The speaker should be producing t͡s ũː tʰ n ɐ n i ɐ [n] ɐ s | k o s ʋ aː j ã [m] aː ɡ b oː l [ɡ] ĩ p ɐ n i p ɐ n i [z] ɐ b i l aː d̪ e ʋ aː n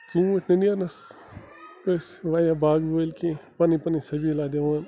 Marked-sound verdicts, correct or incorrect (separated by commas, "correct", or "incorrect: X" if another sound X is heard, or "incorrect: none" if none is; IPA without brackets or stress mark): correct, incorrect: b, incorrect: k, incorrect: s